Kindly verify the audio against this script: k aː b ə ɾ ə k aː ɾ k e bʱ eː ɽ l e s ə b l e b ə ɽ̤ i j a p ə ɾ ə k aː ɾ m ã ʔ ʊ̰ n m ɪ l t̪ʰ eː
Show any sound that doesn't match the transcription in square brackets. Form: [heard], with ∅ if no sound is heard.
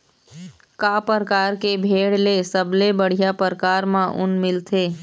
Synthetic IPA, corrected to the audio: k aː [p] ə ɾ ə k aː ɾ k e bʱ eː ɽ l e s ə b l e b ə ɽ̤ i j a p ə ɾ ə k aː ɾ m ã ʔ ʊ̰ n m ɪ l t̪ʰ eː